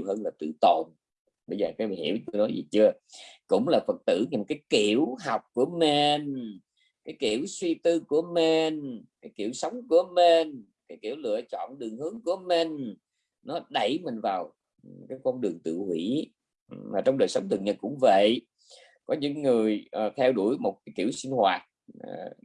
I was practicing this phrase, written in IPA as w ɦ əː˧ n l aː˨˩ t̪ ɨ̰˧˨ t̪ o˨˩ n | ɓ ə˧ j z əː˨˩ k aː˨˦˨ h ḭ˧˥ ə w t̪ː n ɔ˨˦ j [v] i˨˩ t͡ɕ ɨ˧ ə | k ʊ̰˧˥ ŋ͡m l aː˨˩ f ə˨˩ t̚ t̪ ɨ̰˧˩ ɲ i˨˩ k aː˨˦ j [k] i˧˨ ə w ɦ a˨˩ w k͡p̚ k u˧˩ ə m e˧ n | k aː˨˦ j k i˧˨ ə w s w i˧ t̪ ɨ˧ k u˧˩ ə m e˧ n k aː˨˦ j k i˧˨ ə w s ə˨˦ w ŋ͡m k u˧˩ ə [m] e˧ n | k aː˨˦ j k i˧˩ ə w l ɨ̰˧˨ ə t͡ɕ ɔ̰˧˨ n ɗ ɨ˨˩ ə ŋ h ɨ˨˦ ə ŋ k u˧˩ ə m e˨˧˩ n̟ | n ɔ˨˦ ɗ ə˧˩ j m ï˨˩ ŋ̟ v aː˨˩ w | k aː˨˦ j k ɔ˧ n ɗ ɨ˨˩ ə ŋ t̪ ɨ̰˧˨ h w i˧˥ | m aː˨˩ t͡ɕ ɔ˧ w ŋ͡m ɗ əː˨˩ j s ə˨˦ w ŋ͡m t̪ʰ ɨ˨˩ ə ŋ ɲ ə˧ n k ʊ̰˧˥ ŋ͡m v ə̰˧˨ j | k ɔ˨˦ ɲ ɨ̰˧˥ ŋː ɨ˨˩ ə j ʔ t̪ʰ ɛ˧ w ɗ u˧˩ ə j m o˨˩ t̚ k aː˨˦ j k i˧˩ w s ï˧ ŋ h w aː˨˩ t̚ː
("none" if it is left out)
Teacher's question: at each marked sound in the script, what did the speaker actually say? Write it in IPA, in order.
z, k, m

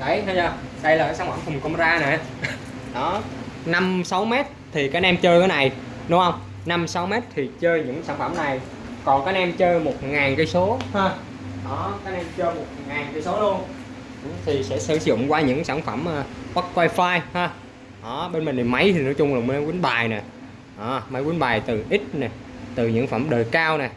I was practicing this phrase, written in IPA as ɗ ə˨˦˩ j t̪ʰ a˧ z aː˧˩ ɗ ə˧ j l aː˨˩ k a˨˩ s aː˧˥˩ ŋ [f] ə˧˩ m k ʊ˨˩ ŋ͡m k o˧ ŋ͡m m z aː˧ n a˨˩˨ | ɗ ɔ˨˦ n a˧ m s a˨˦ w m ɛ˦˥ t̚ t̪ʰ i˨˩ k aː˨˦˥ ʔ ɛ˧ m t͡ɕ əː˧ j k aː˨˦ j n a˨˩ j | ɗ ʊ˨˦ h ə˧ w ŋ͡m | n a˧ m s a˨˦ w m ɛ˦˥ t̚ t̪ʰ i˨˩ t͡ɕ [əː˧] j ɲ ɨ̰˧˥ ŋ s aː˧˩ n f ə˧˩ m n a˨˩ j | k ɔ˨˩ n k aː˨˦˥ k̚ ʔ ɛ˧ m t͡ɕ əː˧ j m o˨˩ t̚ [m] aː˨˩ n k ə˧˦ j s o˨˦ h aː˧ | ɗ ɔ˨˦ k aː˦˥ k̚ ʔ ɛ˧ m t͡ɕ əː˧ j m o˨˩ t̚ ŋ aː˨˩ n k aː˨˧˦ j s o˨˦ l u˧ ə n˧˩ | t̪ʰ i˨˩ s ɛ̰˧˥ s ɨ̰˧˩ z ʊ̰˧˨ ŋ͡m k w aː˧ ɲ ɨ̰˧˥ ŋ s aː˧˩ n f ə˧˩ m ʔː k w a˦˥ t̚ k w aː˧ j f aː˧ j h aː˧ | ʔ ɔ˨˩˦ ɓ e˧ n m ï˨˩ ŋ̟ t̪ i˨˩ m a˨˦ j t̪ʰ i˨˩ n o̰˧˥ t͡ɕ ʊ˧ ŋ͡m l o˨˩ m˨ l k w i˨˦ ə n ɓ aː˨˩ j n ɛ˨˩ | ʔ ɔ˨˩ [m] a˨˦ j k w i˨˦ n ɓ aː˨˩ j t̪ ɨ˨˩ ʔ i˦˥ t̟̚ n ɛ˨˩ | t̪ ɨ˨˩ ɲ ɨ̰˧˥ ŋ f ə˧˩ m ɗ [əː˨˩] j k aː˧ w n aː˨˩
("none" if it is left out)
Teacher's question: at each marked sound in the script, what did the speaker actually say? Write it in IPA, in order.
f, əː˧, ŋ, m, əː˨˩

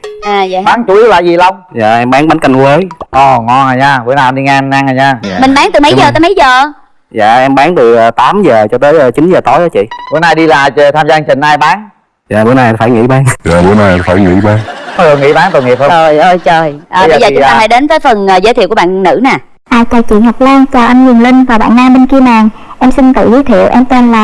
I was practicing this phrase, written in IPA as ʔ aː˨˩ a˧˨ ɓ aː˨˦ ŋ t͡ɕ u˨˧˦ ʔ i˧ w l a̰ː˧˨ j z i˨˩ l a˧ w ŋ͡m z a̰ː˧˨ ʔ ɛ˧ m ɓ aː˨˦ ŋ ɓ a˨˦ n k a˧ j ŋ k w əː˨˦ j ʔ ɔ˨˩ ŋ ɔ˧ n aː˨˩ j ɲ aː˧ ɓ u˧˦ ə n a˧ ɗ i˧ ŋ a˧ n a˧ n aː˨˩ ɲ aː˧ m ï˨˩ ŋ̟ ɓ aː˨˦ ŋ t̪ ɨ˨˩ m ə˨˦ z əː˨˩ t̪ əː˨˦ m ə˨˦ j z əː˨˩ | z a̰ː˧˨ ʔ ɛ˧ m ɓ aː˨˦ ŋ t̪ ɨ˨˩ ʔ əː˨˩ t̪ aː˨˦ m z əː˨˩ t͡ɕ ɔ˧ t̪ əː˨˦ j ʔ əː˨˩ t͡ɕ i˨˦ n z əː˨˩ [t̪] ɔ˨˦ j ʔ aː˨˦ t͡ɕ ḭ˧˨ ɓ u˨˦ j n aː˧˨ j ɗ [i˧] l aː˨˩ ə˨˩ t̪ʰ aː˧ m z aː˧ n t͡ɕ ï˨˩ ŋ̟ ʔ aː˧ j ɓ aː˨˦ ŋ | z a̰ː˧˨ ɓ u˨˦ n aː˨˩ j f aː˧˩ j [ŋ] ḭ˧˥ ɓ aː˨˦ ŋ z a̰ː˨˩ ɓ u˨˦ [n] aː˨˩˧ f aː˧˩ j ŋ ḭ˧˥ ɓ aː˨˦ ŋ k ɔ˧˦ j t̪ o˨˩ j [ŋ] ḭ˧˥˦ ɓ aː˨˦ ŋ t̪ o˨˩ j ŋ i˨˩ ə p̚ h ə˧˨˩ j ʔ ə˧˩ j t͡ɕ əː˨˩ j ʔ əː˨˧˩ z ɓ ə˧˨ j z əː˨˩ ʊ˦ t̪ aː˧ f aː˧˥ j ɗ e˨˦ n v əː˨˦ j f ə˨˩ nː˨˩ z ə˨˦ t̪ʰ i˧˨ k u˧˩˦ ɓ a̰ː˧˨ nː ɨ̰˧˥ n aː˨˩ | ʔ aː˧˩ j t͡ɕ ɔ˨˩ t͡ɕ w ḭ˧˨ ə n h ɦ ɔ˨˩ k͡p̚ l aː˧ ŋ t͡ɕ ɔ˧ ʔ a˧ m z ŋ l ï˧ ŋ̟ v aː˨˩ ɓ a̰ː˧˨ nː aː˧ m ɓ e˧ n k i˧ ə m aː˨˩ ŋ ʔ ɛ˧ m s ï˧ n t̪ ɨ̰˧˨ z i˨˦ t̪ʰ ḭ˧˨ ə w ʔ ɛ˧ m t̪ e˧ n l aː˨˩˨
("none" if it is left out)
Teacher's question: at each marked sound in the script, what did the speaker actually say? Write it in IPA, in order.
t̪, i˧, ŋ, n, ŋ

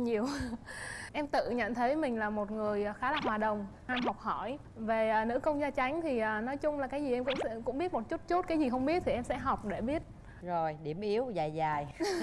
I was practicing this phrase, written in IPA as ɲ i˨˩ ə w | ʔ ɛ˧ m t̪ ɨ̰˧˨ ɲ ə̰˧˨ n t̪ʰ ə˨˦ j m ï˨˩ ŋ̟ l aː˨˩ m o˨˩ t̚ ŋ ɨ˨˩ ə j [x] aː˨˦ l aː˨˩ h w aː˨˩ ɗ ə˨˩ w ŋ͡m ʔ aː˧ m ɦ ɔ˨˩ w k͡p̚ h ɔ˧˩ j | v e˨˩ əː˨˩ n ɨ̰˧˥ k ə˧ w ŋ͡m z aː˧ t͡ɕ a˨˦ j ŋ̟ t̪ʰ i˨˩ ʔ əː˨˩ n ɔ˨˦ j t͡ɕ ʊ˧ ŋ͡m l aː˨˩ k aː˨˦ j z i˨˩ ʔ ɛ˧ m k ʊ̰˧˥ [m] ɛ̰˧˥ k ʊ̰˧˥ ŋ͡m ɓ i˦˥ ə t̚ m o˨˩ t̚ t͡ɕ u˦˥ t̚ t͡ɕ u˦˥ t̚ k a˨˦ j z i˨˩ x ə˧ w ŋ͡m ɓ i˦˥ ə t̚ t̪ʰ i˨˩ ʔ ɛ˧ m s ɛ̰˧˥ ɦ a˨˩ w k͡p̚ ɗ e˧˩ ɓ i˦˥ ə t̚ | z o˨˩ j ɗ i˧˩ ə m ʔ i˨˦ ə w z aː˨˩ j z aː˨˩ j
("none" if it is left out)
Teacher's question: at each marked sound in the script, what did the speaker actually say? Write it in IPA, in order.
x, ŋ͡m

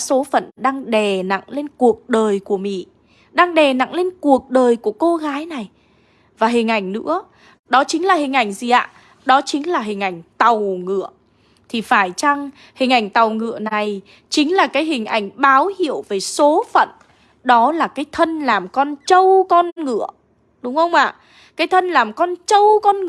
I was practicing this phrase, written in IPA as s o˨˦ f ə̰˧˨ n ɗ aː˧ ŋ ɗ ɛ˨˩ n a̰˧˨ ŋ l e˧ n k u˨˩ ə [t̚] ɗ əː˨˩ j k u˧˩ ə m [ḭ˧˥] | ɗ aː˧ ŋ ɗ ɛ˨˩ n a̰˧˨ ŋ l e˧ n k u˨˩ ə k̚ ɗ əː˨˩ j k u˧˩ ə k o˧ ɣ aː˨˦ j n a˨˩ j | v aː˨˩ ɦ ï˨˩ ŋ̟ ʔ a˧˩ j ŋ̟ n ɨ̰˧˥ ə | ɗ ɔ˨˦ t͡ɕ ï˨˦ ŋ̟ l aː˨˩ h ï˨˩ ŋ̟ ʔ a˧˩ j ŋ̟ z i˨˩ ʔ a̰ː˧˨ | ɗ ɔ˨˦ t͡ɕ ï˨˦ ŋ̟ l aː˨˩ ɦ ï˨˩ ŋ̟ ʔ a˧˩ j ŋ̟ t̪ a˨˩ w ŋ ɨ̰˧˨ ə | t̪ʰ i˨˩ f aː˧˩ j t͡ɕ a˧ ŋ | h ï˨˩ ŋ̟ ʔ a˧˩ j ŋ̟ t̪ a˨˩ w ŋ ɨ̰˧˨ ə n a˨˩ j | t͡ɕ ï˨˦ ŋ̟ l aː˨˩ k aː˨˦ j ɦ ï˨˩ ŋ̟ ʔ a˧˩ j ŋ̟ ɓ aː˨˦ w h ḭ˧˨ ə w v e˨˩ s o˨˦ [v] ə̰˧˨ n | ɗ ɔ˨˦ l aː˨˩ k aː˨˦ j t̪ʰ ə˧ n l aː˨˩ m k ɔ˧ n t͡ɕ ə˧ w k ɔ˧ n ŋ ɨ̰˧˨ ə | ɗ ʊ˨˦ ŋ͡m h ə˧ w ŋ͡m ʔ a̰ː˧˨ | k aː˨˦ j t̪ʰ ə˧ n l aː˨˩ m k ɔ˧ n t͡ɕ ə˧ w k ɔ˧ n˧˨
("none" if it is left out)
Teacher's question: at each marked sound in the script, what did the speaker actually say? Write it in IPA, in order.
k̚, ḭ˧˨, f

